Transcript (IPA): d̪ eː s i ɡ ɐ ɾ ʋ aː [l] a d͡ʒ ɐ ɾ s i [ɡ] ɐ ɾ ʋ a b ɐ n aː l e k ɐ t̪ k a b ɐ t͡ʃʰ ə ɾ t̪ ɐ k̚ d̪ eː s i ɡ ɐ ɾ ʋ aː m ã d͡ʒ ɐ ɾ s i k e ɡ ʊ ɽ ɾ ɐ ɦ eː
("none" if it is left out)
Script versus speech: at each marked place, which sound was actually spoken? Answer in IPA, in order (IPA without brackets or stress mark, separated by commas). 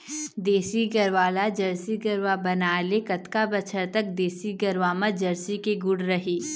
l, ɡ